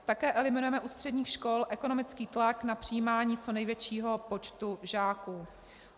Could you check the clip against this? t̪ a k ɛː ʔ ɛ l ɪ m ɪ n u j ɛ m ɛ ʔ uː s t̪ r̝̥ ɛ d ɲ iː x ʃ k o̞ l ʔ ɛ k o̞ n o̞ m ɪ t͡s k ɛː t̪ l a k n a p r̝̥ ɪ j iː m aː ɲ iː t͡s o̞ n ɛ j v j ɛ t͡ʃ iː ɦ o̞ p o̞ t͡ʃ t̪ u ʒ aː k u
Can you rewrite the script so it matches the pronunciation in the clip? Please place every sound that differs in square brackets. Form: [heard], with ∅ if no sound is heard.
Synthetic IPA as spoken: t̪ a k ɛː ʔ ɛ l ɪ m ɪ n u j ɛ m ɛ ʔ uː s t̪ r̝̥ ɛ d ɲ iː x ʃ k o̞ l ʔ ɛ k o̞ n o̞ m ɪ t͡s k [iː] t̪ l a k n a p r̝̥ ɪ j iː m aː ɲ iː t͡s o̞ n ɛ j v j ɛ t͡ʃ iː ɦ o̞ p o̞ t͡ʃ t̪ u ʒ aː k u